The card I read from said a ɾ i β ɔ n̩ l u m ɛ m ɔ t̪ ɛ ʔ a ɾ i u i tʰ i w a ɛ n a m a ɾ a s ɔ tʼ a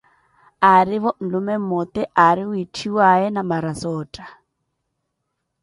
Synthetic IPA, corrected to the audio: a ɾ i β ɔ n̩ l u m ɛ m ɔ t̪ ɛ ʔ a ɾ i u i tʰ i w a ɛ n a m a ɾ a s ɔː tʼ a